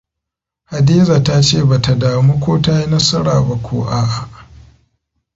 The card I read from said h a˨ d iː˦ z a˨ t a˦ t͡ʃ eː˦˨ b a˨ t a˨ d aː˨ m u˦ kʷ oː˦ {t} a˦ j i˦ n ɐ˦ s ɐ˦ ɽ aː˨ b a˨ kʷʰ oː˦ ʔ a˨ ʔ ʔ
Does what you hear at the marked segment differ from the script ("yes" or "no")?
no